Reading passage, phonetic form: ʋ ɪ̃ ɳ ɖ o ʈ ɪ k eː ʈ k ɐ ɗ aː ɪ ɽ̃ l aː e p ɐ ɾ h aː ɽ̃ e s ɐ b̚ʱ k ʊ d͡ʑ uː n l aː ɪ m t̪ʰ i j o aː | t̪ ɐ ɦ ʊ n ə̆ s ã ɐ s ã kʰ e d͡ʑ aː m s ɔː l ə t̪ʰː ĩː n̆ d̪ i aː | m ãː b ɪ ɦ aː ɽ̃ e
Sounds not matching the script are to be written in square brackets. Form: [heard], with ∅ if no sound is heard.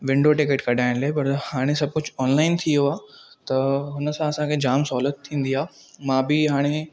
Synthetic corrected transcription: ʋ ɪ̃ ɳ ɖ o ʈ ɪ k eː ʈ k ɐ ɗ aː ɪ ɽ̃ l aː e p ɐ ɾ h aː ɽ̃ e s ɐ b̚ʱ k ʊ d͡ʑ [ɔː] n l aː ɪ [n] t̪ʰ i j o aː | t̪ ɐ ɦ ʊ n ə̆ s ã ɐ s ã kʰ e d͡ʑ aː m s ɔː l ə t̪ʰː ĩː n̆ d̪ i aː | m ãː b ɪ ɦ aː ɽ̃ e